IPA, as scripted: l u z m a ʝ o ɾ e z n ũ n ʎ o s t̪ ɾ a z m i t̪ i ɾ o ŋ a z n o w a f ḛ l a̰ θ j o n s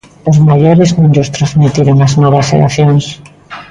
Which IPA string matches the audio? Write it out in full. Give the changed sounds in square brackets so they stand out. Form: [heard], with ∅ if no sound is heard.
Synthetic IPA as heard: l [o] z m a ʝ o ɾ e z n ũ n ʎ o s t̪ ɾ a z m i t̪ i ɾ o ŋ a z n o [β] a [s] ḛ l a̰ θ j o n s